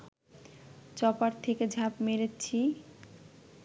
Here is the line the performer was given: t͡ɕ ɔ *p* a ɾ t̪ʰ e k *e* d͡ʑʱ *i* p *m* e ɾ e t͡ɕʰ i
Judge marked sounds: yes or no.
yes, yes, no, yes

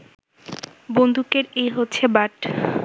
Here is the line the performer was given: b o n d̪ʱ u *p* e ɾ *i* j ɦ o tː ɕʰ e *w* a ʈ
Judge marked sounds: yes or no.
no, no, no

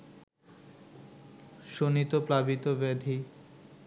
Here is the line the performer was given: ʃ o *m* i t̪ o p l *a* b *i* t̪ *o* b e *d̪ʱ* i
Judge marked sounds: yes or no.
no, yes, yes, yes, yes

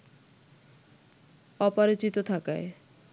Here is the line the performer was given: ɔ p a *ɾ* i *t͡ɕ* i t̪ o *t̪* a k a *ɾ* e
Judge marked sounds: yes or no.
yes, yes, no, no

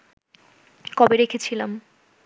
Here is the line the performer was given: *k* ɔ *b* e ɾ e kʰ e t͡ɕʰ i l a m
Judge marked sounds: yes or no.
yes, yes

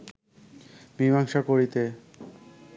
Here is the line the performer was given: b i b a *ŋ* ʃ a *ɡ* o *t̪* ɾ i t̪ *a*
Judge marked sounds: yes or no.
yes, no, no, no

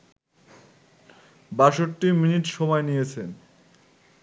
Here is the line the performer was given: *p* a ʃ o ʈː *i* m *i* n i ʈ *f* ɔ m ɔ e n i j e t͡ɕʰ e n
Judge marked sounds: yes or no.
no, yes, yes, no

